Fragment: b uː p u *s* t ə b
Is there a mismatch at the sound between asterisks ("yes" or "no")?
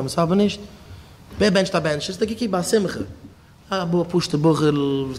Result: yes